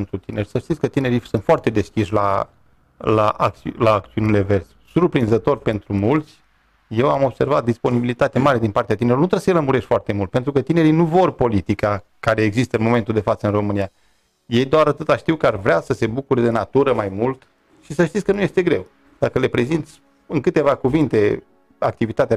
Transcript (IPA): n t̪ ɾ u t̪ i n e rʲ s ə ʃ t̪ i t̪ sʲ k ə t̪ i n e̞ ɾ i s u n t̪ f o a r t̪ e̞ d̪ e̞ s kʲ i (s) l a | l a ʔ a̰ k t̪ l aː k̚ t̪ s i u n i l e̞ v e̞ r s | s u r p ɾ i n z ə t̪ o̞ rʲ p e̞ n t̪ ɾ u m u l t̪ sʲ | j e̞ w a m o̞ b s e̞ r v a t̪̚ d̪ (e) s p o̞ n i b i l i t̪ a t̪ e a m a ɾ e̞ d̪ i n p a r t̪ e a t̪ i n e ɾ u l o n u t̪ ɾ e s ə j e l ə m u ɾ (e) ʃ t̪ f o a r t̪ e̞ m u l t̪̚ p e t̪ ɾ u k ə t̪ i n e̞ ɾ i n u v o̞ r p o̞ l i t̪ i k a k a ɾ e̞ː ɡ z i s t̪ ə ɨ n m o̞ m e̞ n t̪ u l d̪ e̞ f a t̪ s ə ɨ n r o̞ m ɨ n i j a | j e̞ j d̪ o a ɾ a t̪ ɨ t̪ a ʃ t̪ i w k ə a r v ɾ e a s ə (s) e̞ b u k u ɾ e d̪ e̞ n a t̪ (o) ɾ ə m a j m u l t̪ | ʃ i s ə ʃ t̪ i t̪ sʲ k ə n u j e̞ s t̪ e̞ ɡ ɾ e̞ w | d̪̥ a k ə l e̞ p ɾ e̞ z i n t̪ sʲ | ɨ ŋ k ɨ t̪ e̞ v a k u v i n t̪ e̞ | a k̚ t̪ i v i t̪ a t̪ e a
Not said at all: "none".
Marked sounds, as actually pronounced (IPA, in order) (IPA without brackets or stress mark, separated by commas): ʃ, i, e, s, u